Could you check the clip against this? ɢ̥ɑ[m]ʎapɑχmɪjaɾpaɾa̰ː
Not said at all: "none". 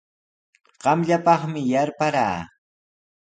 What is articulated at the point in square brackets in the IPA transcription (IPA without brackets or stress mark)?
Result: m